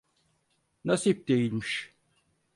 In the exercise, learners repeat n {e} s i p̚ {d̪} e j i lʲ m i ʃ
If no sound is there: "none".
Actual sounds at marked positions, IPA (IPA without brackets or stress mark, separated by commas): a, d̪